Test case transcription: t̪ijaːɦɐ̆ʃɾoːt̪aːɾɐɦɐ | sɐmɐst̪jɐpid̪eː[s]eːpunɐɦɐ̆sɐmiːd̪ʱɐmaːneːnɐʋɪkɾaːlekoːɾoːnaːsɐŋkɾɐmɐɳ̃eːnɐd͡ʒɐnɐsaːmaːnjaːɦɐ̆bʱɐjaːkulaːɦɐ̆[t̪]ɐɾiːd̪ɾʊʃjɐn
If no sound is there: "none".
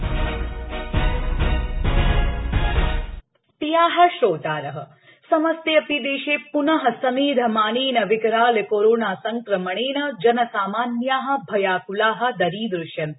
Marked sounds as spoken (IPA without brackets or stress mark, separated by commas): ʃ, d̪